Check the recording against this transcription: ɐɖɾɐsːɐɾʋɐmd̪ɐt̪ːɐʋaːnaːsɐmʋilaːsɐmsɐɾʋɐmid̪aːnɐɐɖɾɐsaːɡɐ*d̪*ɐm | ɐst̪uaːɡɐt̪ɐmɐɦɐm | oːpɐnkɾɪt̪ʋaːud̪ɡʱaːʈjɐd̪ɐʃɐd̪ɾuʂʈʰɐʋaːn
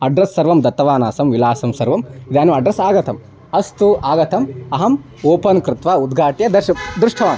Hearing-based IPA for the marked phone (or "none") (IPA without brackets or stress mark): t̪